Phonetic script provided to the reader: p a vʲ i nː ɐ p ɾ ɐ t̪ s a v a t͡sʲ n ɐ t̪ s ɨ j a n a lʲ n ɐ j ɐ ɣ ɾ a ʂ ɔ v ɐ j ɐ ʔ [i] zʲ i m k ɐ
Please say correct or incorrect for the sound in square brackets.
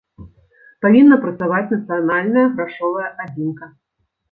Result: incorrect